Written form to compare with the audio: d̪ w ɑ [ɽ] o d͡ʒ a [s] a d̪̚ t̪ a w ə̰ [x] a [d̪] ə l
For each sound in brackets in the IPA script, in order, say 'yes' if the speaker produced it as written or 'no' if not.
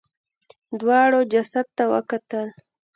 yes, yes, no, no

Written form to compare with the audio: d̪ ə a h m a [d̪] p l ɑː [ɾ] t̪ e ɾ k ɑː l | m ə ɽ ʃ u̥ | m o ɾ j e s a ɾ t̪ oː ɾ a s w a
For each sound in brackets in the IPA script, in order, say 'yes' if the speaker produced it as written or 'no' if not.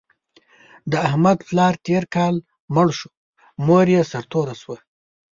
yes, yes

